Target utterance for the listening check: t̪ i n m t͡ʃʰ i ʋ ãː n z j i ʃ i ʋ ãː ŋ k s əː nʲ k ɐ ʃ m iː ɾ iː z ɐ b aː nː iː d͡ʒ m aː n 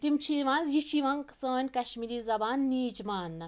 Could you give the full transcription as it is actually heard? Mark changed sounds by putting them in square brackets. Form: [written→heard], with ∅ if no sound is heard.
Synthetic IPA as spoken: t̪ i [n→∅] m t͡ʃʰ i ʋ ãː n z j i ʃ i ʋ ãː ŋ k s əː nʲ k ɐ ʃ m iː ɾ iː z ɐ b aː nː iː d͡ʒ m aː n